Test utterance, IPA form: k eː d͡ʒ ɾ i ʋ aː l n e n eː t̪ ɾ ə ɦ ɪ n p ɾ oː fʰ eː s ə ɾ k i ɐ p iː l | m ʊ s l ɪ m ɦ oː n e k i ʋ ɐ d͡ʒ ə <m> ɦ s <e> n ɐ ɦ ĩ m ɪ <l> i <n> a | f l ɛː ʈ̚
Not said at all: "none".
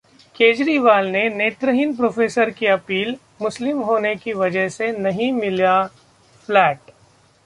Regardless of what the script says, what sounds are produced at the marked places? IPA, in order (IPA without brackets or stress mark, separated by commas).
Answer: none, e, l, none